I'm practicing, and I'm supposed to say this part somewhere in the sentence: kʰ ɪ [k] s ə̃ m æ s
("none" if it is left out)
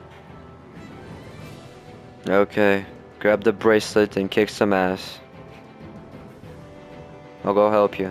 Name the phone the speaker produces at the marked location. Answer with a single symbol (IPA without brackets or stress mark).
k